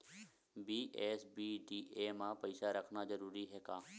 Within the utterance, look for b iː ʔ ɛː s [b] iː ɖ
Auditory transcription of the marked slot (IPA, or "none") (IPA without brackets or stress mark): b